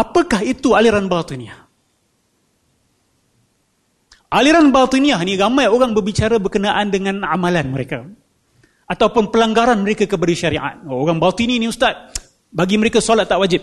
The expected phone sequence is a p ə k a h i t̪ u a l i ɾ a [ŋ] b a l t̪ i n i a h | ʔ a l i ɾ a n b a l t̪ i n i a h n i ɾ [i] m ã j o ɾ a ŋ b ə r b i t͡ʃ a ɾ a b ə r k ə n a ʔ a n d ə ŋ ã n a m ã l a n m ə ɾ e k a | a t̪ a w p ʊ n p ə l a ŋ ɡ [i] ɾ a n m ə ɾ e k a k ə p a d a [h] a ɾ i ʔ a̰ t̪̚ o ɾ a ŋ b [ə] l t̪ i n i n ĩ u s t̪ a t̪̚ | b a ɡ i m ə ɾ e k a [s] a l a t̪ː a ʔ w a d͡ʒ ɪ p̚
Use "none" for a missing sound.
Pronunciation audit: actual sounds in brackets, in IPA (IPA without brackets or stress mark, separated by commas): n, a, a, ʃ, a, s